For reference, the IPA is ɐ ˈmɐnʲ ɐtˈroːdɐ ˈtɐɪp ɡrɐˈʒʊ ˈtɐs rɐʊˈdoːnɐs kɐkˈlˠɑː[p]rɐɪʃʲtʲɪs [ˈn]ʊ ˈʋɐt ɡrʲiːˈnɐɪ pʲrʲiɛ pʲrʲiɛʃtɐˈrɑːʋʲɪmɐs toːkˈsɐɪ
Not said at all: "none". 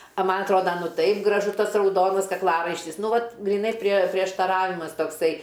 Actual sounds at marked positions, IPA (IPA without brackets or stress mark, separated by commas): none, n